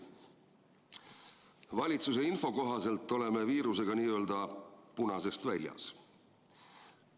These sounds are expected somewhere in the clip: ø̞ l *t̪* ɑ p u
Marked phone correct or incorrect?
incorrect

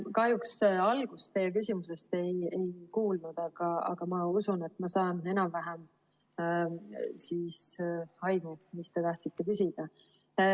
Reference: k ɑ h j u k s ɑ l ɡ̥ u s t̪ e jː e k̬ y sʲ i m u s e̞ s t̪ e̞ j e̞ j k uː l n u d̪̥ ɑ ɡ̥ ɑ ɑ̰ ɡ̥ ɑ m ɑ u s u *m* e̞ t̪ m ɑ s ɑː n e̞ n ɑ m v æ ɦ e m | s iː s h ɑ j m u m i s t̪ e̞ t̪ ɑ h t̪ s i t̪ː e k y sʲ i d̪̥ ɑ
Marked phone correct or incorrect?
incorrect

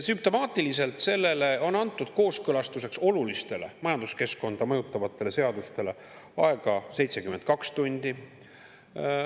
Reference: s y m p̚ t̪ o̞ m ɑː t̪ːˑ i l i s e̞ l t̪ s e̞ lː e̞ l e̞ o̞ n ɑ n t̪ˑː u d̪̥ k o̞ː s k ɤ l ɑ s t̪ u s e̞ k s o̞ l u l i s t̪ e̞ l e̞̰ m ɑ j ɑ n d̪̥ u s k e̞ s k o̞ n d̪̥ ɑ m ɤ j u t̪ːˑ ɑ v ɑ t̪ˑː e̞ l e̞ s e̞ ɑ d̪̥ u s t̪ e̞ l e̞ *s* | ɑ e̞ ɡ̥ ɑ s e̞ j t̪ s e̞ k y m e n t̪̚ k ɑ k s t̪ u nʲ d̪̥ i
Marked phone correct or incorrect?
incorrect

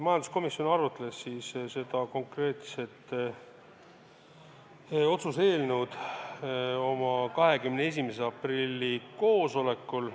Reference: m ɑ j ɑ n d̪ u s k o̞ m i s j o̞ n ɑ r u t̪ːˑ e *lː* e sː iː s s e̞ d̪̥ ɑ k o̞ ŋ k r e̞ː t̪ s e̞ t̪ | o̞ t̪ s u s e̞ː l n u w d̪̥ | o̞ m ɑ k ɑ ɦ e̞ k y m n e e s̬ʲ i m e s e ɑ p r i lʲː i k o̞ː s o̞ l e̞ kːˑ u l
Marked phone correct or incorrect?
incorrect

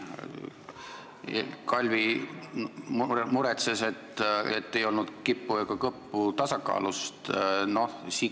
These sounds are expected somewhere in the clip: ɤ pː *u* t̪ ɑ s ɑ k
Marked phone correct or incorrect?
correct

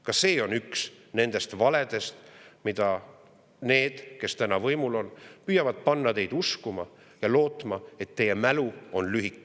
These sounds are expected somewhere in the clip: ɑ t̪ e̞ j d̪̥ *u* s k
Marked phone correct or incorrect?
correct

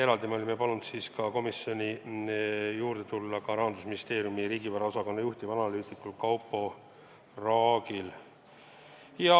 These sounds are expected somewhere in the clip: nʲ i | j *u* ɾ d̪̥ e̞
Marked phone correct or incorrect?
incorrect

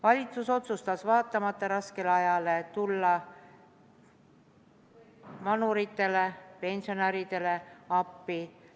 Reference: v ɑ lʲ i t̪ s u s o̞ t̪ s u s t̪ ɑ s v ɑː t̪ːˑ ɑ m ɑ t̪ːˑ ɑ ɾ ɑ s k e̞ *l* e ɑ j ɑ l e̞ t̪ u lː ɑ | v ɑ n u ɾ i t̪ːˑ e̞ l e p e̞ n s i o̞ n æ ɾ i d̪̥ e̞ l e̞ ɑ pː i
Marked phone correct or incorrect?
correct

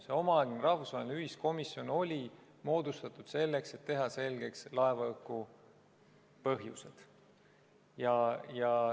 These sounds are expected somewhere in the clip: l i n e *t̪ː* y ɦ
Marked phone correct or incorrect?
incorrect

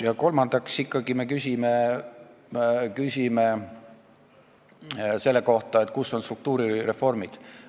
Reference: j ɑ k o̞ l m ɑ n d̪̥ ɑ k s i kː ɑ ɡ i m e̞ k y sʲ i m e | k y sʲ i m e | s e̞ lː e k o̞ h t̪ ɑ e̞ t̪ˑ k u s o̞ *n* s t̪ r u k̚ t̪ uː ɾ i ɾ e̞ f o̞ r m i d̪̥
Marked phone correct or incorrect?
correct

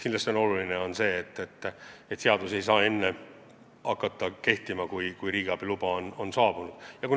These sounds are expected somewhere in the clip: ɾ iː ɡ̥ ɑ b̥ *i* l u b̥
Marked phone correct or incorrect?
correct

